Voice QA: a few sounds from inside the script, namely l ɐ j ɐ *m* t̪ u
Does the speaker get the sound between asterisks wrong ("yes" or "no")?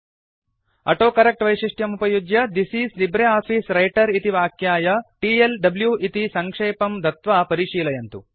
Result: yes